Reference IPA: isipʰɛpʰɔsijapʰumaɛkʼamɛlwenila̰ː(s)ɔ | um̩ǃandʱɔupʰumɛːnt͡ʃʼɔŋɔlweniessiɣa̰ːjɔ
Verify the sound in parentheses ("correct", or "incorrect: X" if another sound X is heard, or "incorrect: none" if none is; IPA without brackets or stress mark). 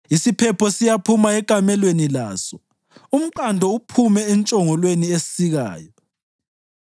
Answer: correct